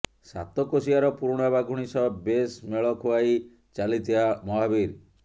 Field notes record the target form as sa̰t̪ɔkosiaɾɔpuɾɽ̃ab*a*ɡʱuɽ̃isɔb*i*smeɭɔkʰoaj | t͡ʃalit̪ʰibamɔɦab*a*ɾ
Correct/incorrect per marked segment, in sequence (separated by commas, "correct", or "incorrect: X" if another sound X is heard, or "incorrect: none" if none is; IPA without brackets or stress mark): correct, incorrect: e, incorrect: i